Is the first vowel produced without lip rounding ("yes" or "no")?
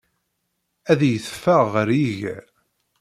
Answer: yes